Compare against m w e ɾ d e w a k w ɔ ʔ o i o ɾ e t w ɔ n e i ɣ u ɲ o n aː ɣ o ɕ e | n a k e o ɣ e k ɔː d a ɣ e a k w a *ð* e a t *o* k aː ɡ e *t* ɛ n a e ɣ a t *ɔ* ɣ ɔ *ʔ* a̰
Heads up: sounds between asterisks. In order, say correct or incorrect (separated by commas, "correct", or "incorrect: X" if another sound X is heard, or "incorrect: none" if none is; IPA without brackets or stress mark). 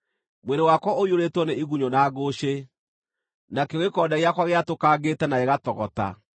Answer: incorrect: ɣ, correct, correct, correct, incorrect: t